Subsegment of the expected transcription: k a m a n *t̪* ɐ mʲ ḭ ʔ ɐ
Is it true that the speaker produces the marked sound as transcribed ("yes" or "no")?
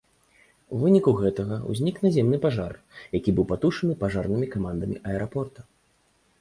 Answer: no